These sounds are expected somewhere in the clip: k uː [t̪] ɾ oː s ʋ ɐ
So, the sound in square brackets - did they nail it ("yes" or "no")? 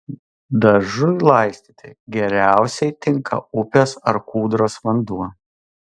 no